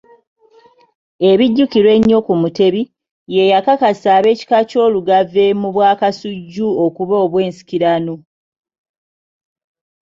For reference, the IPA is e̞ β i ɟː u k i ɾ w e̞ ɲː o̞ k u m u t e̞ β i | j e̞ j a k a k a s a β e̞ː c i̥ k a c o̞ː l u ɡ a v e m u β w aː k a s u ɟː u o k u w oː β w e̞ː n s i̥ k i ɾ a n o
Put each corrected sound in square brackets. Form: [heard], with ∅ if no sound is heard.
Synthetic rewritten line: e̞ β i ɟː u k i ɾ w e̞ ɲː o̞ k u m u t e̞ β i | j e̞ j a k a k a s a β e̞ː c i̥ k a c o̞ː l u ɡ a v e m u β w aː k a s u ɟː u o k u [β] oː β w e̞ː n s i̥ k i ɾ a n o